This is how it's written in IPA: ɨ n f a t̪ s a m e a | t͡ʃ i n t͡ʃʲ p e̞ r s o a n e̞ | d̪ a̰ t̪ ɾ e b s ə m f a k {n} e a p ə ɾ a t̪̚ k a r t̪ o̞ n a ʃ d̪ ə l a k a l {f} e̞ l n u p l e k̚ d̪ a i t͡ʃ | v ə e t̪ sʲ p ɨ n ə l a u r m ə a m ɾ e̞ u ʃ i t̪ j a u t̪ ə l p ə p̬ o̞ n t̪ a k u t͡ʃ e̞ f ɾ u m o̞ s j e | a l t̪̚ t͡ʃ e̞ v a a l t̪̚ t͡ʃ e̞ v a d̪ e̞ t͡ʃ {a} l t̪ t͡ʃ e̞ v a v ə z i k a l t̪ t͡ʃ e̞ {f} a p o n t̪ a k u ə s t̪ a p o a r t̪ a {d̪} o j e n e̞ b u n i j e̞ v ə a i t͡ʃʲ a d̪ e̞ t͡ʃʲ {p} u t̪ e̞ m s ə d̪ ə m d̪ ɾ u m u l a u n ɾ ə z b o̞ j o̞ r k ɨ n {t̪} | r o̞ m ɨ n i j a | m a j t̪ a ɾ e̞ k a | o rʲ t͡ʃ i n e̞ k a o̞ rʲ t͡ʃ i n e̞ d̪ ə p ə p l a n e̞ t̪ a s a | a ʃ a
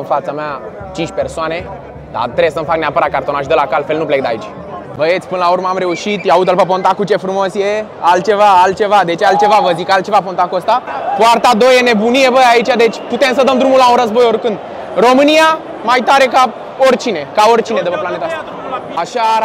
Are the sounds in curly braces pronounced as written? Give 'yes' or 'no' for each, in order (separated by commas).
yes, yes, yes, no, yes, yes, no